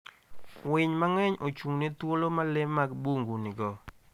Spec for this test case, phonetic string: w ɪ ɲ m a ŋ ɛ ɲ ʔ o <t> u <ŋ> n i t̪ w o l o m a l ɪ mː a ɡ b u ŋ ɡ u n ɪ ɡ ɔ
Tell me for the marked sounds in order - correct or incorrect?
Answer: incorrect, correct

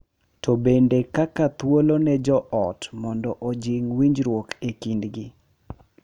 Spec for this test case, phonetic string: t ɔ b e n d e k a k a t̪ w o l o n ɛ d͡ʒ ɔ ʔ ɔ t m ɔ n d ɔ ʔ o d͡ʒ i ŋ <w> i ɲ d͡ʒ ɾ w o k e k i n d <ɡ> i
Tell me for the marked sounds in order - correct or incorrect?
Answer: correct, correct

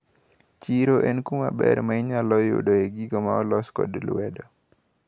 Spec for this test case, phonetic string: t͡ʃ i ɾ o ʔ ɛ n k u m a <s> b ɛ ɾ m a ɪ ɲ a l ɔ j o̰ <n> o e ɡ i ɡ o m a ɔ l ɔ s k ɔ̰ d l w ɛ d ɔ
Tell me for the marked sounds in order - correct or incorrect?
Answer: incorrect, incorrect

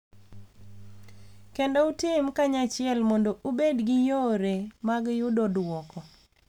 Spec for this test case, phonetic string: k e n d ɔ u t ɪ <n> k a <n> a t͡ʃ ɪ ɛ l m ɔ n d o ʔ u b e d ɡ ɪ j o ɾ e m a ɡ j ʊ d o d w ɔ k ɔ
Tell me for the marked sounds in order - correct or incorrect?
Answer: incorrect, incorrect

